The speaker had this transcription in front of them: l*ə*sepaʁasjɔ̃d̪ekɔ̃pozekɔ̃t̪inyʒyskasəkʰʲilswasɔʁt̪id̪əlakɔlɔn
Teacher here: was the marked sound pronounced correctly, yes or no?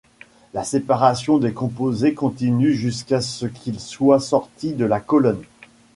no